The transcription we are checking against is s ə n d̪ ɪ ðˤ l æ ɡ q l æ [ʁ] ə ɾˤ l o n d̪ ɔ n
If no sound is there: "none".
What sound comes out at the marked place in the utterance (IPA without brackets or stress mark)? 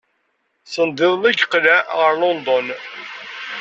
ʁ